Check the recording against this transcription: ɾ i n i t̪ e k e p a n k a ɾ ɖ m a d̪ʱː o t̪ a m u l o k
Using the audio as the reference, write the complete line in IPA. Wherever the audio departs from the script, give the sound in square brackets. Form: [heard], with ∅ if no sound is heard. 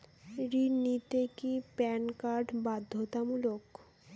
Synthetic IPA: ɾ i n i t̪ e k [i] p [ɛ] n k a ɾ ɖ [b] a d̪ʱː o t̪ a m u l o k